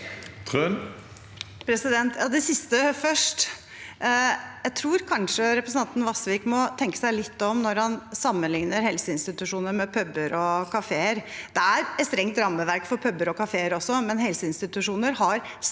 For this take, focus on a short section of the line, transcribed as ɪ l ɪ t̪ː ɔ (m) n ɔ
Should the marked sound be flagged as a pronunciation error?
no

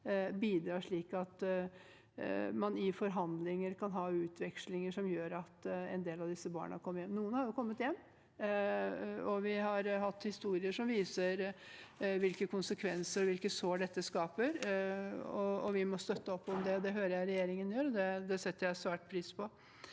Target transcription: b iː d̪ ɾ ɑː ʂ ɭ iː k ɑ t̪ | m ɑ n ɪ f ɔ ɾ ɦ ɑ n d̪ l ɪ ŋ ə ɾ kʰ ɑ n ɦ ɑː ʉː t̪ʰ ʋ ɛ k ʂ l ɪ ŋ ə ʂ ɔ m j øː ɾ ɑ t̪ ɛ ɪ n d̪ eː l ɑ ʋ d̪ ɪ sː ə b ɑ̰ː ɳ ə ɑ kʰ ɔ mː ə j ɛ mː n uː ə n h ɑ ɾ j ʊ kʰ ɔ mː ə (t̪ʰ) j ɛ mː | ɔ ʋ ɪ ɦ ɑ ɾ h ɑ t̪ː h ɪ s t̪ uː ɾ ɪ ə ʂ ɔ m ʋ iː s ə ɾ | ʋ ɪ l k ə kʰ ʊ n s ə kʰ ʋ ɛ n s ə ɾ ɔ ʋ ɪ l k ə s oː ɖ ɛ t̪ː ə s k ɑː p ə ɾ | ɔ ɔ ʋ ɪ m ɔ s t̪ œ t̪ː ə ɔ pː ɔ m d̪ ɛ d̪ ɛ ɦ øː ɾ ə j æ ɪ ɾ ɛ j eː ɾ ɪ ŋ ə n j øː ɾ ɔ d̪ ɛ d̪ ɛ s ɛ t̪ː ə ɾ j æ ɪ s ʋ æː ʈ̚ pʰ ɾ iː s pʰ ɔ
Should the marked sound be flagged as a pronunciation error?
yes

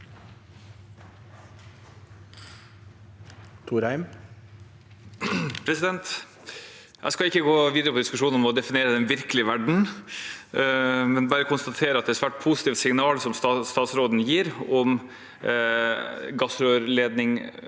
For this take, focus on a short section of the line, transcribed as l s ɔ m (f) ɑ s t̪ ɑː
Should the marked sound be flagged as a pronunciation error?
yes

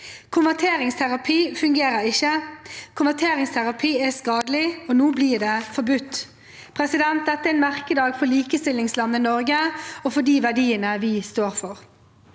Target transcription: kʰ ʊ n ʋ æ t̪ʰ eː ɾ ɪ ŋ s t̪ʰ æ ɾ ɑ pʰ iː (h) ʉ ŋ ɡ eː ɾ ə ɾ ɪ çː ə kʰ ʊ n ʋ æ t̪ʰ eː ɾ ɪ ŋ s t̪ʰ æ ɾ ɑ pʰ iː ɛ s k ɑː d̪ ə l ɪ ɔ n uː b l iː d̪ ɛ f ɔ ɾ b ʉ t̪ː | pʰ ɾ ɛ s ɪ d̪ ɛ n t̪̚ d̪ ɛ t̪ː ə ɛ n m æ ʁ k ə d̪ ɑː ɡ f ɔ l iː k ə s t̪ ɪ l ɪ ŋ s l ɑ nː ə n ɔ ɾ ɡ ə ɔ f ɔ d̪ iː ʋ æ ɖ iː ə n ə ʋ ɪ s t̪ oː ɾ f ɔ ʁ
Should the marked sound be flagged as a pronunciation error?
yes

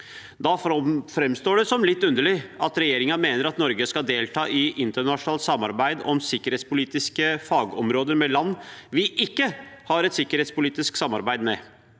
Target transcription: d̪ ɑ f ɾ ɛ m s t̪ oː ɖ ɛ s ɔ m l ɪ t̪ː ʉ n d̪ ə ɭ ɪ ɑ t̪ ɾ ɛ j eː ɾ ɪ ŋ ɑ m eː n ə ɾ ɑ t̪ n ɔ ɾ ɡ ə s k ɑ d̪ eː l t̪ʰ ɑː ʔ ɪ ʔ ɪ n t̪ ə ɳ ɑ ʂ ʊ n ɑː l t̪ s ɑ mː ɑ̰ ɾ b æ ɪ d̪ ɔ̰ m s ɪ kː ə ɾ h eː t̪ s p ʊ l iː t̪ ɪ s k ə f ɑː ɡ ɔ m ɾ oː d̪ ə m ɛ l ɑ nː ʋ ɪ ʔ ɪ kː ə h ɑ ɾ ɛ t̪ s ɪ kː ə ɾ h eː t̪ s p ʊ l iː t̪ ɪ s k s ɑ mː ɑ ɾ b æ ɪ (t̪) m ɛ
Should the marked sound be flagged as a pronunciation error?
yes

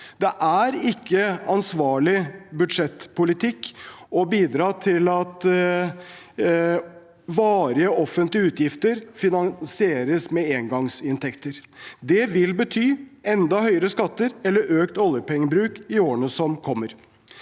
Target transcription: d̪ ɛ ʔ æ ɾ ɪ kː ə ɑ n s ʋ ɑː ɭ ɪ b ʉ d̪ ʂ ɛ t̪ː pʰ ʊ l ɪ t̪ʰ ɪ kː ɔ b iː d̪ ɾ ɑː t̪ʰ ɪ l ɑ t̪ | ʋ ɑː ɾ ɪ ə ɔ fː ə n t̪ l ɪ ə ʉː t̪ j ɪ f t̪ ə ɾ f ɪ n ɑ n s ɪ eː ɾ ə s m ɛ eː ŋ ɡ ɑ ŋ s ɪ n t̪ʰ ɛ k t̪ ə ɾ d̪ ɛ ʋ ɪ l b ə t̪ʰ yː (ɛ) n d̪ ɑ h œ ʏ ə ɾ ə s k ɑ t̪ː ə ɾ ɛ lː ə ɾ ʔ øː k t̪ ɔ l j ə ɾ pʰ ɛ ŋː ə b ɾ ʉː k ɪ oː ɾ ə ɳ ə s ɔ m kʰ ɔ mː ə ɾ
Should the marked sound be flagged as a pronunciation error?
no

